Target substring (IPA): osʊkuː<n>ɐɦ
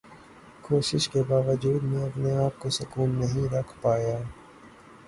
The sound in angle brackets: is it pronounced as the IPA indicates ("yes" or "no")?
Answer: no